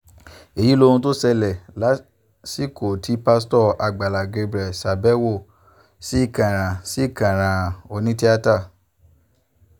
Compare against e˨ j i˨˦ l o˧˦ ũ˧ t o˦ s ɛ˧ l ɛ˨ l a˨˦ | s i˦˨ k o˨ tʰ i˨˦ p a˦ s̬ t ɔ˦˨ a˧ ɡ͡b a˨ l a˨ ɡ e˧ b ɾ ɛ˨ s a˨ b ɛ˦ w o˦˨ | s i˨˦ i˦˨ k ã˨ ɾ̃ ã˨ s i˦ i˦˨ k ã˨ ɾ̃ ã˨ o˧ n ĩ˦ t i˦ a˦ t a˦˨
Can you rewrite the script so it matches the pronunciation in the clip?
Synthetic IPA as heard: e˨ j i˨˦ l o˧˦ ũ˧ t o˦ s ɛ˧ l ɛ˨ l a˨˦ | s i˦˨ k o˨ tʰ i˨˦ p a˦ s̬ t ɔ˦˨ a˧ ɡ͡b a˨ l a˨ ɡ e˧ b ɾ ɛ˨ s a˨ b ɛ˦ w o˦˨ | s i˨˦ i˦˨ k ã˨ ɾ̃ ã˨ s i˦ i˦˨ k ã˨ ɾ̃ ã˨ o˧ n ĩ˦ t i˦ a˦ t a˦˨